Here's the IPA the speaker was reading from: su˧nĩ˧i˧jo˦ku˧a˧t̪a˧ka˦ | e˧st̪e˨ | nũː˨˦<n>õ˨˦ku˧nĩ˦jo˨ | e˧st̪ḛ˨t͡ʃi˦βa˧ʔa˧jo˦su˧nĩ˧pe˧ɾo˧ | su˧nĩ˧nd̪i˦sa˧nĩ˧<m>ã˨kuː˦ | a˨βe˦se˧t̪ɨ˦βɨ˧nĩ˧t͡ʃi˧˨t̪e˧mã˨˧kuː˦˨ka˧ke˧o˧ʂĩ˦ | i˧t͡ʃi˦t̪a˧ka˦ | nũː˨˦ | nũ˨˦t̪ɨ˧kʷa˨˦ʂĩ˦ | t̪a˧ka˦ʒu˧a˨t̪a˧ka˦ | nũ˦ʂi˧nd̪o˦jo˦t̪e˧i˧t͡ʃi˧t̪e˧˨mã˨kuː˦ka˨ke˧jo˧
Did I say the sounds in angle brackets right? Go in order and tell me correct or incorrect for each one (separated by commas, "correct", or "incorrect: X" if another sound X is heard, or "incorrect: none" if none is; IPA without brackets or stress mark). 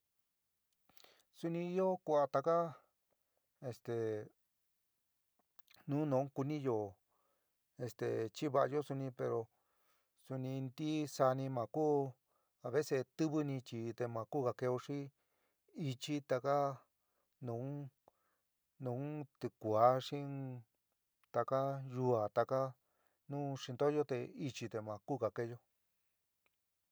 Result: correct, correct